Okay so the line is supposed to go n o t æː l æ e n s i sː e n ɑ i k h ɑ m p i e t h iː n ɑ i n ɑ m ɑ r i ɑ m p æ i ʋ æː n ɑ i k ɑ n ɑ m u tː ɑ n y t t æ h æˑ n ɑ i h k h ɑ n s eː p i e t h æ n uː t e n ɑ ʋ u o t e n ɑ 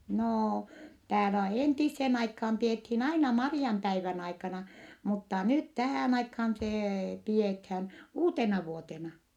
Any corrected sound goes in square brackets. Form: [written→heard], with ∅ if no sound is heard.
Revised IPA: n [o→oː] t æː l æ e n [s→t] i sː e n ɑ i k h ɑ m p i e t h iː n ɑ i n ɑ m ɑ r i ɑ m p æ i ʋ [æː→æ] n ɑ i k ɑ n ɑ m u tː ɑ n y t t æ h æˑ n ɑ i [h→∅] k h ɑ n s eː p i e t h æ n uː t e n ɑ ʋ u o t e n ɑ